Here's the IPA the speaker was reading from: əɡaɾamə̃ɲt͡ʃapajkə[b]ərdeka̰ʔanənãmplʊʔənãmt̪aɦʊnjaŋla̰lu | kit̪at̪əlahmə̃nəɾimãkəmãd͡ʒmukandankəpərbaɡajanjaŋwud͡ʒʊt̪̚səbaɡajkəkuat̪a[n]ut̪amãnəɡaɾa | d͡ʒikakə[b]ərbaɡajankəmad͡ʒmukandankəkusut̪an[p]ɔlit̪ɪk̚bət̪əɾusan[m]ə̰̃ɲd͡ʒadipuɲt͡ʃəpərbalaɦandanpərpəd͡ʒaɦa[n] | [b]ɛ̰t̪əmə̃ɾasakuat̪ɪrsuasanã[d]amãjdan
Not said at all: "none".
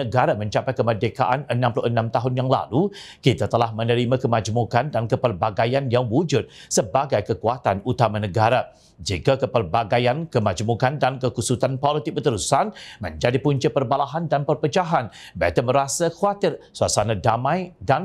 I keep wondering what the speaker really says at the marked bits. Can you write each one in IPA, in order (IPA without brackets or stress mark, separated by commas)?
m, n, p, p, m, n, b, d